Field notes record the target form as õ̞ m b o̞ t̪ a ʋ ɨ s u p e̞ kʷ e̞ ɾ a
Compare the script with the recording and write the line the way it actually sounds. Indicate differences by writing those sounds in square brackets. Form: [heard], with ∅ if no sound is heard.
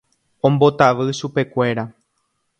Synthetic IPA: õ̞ m b o̞ t̪ a ʋ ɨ [ʃ] u p e̞ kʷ e̞ ɾ a